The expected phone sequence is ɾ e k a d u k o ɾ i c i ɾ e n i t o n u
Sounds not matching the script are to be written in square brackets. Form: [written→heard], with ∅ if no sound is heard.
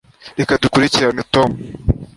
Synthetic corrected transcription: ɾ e k a d u k [o→u] ɾ i c i ɾ [e→a] n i t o [n→m] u